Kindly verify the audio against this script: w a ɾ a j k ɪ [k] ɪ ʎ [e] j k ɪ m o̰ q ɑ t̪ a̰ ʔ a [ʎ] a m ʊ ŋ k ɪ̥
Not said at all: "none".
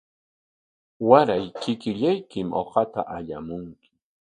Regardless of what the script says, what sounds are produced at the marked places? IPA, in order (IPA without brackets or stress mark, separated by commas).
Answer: k, a, ʎ